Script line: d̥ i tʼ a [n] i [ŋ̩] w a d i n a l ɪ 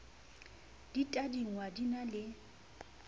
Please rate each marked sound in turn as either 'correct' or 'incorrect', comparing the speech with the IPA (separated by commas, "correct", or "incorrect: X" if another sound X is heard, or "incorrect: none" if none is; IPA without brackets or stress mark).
incorrect: d, correct